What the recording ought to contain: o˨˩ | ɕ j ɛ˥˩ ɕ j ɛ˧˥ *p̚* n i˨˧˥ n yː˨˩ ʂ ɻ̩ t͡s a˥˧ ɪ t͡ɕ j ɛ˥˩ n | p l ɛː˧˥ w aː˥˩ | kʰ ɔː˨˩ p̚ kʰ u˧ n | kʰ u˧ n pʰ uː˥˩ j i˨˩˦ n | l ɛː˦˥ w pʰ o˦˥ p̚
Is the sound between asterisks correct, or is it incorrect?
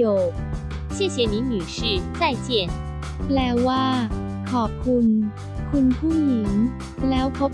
incorrect